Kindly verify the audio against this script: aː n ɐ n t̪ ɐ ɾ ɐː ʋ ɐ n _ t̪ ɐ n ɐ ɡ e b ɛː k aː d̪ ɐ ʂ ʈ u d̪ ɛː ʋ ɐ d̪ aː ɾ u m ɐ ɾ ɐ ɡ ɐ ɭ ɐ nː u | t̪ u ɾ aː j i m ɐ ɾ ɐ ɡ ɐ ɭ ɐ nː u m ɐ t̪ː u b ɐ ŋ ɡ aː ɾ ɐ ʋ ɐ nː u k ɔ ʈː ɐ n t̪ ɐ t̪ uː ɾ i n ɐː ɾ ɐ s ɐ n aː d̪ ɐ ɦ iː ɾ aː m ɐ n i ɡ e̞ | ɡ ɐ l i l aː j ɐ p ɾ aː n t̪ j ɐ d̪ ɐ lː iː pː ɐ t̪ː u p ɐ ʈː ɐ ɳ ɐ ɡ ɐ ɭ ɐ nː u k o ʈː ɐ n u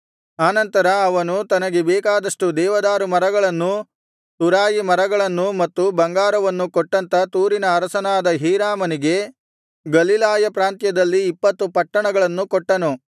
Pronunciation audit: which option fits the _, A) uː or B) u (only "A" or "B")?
B